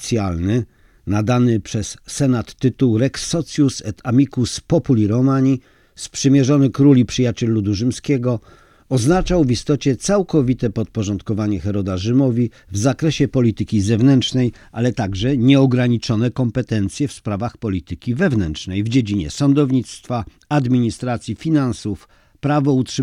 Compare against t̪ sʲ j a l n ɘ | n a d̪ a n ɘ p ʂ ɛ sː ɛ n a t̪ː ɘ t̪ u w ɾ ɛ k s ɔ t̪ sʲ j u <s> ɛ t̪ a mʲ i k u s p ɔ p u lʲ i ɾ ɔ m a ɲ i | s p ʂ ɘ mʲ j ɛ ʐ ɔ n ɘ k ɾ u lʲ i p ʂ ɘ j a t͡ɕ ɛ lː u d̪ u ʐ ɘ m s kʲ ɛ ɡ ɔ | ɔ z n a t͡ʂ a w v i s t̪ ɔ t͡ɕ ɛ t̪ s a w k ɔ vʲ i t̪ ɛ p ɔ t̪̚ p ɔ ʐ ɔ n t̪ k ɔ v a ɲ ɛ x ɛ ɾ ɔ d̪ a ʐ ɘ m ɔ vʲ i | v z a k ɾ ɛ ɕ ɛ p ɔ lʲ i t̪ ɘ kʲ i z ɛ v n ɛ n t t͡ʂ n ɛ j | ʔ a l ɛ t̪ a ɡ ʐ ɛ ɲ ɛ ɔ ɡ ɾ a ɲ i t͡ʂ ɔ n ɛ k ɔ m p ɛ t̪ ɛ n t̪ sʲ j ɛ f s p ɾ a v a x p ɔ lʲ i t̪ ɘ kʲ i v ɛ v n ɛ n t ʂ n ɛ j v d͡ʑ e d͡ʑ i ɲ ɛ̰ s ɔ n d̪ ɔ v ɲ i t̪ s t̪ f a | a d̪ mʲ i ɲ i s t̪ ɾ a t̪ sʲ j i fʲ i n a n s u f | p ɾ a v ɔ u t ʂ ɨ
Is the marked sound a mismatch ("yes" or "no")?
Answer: no